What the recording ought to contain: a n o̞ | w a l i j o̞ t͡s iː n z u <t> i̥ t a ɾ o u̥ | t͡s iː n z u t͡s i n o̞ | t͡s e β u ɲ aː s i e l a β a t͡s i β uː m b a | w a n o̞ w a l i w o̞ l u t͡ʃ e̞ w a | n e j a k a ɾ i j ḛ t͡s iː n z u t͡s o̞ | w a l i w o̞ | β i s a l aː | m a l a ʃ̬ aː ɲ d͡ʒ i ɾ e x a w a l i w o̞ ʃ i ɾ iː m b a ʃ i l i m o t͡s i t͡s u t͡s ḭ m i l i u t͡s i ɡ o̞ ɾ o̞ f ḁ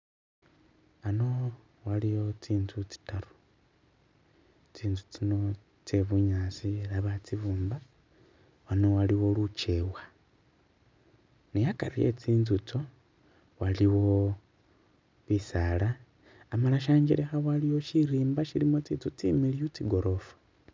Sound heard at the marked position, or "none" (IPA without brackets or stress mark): t͡s